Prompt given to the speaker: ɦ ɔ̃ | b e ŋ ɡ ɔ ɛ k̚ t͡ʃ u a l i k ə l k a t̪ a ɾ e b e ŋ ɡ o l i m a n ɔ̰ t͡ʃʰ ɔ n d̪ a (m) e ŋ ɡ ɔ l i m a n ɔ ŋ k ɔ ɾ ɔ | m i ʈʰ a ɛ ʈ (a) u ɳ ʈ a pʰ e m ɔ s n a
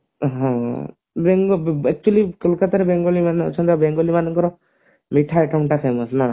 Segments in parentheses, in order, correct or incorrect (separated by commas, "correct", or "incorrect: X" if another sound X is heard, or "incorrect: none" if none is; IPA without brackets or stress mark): incorrect: b, correct